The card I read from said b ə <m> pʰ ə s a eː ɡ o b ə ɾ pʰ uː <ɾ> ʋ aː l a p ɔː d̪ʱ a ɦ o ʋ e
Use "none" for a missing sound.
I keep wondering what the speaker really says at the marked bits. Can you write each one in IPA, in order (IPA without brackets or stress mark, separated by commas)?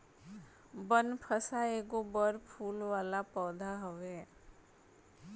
n, l